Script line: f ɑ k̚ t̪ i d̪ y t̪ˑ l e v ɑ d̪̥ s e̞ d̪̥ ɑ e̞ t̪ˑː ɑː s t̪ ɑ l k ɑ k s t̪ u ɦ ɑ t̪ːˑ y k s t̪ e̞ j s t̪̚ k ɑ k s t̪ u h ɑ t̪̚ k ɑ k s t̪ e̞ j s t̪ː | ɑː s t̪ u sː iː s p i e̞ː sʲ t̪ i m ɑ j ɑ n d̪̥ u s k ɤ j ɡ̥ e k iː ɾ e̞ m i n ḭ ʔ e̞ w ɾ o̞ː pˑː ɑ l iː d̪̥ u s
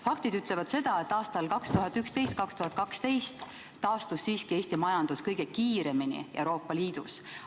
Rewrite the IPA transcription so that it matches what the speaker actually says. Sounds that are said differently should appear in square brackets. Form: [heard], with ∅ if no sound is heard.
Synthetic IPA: f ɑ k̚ t̪ i d̪ y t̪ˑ l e v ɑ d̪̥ s e̞ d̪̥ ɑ e̞ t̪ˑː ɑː s t̪ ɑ l k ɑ k s t̪ u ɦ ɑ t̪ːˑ y k s t̪ e̞ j s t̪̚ k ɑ k s t̪ u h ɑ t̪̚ k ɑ k s t̪ e̞ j s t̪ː | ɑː s t̪ u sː iː s [k] i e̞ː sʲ t̪ i m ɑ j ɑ n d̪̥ u s k ɤ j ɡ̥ e k iː ɾ e̞ m i n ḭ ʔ e̞ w ɾ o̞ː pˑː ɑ l iː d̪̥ u s